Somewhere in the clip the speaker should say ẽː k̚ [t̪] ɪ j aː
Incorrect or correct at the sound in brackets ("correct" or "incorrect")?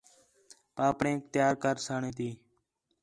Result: correct